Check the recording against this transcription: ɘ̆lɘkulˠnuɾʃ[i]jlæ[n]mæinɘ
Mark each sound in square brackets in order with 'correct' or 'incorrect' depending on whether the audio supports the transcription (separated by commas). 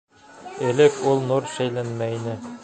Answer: incorrect, correct